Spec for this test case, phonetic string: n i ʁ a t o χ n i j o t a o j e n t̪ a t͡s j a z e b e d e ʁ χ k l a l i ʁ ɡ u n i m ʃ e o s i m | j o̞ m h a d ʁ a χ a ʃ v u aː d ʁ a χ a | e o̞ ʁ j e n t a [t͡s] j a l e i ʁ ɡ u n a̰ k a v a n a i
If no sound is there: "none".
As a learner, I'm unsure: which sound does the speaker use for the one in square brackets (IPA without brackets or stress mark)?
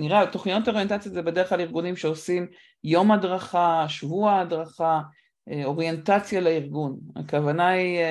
t͡s